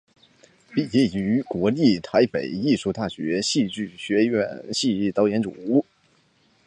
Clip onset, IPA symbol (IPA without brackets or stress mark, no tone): p